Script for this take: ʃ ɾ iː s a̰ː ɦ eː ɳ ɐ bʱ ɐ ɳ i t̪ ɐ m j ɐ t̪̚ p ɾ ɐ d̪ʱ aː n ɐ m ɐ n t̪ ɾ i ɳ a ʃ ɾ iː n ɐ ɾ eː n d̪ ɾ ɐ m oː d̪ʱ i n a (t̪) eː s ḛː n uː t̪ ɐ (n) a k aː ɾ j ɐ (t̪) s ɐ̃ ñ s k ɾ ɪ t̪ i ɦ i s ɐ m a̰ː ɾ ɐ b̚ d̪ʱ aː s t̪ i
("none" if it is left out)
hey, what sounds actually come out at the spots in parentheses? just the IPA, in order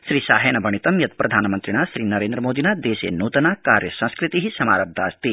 d̪, n, none

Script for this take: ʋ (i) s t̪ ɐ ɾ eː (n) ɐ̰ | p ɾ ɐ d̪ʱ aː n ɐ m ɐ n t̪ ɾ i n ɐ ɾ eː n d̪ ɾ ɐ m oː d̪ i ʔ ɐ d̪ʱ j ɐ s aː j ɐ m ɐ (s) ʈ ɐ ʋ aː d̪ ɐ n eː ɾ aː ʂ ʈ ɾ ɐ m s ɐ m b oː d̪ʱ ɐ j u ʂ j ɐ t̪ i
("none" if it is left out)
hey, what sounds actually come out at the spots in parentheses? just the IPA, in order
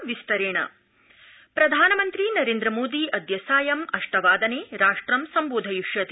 i, ɳ, ʂ

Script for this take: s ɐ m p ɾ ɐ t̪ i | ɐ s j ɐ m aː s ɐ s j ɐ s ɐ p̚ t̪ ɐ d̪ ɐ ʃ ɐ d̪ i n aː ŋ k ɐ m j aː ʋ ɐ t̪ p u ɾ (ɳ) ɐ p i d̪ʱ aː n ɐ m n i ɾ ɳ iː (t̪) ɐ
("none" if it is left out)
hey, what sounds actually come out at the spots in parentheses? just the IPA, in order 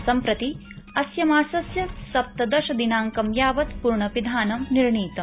ɳ, t̪

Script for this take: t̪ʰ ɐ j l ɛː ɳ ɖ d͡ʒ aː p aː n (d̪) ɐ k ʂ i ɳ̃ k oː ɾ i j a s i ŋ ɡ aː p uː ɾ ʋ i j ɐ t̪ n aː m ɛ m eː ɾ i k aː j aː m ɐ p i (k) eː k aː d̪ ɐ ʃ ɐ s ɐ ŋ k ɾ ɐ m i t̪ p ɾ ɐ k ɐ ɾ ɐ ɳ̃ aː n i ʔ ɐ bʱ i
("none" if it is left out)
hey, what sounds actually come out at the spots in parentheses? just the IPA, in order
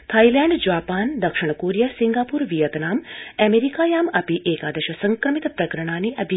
d̪, ʔ

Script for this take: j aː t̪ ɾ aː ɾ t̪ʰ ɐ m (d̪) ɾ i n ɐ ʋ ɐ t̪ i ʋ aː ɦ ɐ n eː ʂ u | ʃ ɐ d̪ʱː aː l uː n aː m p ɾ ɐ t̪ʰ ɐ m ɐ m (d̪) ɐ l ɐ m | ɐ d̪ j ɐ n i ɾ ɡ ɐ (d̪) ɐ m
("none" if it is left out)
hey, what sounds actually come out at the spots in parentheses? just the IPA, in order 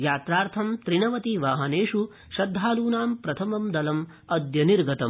t̪, d̪, t̪

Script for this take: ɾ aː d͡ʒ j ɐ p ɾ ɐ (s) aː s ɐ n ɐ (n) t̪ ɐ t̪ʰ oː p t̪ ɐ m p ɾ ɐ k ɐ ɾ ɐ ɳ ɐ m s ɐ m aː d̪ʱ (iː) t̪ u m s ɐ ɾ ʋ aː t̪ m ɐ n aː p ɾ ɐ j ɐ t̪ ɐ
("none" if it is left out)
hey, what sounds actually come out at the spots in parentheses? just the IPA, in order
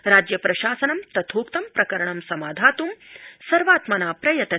ʃ, m, aː

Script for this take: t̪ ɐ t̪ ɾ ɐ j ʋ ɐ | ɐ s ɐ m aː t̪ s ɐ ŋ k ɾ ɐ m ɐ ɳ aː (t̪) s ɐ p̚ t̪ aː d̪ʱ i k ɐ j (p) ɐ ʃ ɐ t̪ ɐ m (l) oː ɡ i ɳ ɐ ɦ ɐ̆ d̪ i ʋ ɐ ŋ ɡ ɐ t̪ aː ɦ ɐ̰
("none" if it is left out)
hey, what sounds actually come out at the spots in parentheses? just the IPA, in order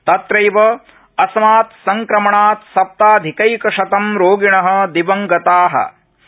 t̪, k, ɾ

